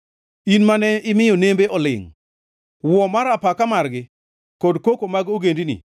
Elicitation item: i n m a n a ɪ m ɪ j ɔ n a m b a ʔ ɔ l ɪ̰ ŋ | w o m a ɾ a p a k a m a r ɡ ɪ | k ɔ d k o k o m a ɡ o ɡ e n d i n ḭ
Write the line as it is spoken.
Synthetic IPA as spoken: i n m a n ɛ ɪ m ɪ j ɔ n e m b e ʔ ɔ l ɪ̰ ŋ | w ɔ m a ɾ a p a k a m a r ɡ ɪ | k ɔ d k o k o m a ɡ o ɡ e n d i n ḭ

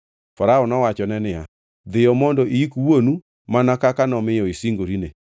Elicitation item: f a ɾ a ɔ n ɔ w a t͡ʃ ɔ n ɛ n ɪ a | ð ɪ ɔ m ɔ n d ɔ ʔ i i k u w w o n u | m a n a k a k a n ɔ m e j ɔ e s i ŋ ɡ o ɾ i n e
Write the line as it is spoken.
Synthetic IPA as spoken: f a ɾ a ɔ n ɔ w a t͡ʃ ɔ n ɛ n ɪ a | ð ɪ ɔ m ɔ n d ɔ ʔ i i k u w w o n u | m a n a k a k a n ɔ m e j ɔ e s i ŋ ɡ o ɾ i n e

